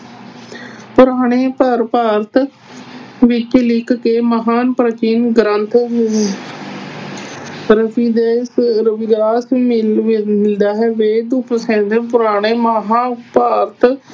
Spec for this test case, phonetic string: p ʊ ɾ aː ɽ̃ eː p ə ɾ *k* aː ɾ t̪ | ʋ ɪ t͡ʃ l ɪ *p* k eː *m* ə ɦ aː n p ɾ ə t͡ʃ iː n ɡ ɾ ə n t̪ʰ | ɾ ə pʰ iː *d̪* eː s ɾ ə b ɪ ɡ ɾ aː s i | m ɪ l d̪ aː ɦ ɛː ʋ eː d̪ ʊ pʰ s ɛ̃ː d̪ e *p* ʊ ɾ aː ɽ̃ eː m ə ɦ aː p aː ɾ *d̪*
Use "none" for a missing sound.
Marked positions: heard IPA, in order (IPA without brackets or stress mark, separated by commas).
p, k, m, d̪, p, t̪